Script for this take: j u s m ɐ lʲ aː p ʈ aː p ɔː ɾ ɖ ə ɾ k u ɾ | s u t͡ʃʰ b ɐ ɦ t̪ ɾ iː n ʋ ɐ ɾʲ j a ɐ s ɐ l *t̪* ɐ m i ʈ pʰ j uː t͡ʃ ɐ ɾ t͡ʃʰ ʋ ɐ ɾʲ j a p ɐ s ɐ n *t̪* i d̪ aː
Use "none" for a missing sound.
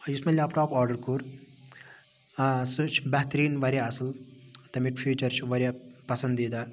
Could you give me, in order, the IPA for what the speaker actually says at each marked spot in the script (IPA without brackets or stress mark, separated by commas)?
t̪, d̪